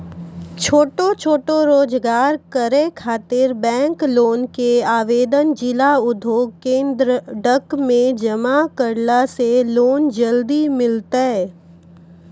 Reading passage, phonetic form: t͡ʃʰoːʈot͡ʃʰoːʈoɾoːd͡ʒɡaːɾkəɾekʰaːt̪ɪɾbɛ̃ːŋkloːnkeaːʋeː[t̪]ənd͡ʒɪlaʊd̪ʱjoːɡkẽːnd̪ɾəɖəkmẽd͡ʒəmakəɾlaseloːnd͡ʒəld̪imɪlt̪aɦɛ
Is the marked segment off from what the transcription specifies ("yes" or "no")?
yes